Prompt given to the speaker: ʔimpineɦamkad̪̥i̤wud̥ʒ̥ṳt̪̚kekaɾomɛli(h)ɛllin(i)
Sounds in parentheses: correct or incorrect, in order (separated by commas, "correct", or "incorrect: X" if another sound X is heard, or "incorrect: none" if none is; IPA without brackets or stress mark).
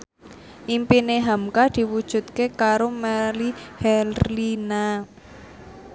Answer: correct, incorrect: a